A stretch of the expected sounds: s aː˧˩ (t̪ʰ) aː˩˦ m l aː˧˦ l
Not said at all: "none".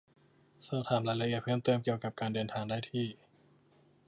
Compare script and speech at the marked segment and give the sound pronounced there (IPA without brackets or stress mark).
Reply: t̪ʰ